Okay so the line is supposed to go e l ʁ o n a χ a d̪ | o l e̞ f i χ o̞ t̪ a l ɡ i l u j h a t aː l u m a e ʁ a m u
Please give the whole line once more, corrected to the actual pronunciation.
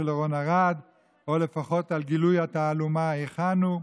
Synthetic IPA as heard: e l ʁ o n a ʁ a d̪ | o l e̞ f a χ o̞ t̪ a l ɡ i l u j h a t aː l u m a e χ a n u